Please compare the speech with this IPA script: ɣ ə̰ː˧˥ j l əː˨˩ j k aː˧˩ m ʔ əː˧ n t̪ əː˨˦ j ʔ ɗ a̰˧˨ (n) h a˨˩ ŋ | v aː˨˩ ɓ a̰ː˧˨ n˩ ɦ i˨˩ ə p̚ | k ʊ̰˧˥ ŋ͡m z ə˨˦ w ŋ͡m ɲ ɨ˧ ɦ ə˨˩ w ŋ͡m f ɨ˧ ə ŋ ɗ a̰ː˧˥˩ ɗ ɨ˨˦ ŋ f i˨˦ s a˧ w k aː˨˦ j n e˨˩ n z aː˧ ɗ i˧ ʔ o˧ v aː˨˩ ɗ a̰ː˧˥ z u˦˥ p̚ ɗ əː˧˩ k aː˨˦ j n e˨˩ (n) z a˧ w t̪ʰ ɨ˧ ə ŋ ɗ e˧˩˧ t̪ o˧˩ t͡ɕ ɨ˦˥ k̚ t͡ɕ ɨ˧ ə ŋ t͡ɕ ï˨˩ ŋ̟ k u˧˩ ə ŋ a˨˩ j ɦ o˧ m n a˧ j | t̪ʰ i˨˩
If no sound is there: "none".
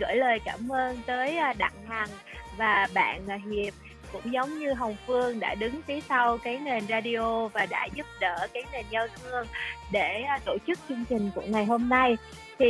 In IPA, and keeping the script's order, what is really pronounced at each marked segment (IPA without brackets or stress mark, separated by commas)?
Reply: ŋ, n